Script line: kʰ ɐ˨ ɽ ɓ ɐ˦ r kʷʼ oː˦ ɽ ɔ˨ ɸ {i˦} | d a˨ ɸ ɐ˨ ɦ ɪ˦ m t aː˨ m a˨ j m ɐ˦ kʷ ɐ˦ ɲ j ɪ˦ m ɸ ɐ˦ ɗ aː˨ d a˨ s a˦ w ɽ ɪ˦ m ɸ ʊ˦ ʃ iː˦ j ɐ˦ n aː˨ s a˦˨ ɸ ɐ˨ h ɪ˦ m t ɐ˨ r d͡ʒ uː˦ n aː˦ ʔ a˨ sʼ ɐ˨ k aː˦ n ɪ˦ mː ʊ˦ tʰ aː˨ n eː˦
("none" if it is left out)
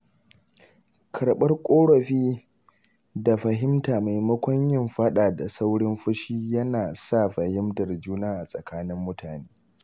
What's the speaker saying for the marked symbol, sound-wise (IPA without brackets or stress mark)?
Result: iː˦